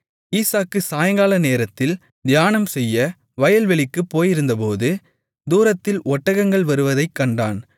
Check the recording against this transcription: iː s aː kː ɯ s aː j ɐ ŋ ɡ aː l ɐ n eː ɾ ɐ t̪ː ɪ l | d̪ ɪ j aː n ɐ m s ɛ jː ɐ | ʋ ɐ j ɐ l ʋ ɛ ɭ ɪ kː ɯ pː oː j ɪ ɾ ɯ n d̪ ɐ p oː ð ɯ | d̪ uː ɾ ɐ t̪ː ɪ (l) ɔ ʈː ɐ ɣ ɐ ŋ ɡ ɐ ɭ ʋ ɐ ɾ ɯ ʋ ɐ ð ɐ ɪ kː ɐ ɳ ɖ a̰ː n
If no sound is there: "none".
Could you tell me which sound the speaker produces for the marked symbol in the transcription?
l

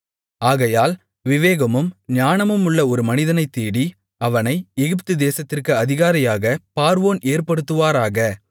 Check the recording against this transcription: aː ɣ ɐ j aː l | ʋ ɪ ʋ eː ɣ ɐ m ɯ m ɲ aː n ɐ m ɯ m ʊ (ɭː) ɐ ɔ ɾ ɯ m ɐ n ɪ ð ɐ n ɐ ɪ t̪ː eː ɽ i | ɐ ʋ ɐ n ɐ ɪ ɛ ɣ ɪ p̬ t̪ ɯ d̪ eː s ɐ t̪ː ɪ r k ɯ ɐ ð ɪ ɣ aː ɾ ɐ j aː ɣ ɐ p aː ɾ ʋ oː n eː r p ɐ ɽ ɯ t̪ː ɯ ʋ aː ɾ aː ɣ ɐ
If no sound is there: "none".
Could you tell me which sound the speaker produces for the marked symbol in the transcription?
ɭː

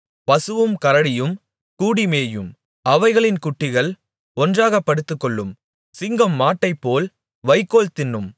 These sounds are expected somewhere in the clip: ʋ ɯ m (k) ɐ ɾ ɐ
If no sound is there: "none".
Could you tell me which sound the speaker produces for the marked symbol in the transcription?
k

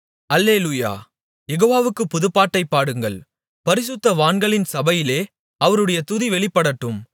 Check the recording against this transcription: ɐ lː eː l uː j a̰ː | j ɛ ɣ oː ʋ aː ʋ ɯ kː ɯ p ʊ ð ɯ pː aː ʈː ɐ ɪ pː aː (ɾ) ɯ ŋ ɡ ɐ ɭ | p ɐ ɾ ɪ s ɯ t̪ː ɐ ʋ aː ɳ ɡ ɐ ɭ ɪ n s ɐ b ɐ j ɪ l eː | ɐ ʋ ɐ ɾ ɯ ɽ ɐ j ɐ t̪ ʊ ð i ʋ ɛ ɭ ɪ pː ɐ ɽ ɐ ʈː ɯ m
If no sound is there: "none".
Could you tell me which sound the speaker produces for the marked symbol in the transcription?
ɽ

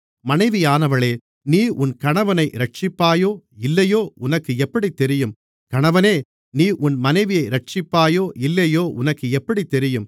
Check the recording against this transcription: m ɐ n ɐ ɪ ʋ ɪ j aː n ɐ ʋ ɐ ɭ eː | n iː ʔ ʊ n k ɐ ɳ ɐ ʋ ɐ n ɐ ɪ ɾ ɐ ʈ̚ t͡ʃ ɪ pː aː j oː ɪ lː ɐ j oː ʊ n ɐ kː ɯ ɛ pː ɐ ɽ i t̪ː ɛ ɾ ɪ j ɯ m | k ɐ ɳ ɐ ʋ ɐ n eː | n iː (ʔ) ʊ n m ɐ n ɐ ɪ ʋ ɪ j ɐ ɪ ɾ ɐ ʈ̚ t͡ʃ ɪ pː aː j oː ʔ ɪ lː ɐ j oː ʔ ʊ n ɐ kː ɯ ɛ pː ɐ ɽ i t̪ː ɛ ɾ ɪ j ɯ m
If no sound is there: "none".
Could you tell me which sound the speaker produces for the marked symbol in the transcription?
ʔ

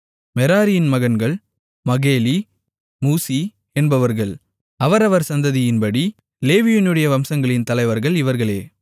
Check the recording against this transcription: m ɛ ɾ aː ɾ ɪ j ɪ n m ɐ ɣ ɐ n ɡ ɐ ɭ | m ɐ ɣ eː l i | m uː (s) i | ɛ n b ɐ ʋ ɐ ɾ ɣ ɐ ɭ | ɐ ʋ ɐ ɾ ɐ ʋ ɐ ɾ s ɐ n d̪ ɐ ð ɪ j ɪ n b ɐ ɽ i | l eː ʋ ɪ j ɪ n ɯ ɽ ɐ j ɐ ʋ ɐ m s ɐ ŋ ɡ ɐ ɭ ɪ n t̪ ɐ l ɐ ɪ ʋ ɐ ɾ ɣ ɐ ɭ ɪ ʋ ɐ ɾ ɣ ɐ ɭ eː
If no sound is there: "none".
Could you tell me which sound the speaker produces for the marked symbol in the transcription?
s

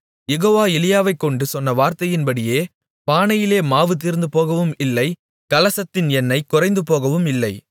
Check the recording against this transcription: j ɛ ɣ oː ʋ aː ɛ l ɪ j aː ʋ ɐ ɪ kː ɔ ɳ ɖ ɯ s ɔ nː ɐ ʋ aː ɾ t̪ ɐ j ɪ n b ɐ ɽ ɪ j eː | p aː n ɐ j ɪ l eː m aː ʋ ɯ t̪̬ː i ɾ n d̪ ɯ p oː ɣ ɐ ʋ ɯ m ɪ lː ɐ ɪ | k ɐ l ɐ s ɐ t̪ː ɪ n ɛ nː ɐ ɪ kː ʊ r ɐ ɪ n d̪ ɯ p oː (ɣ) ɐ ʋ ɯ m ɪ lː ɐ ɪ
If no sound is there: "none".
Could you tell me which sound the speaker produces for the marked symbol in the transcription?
ɣ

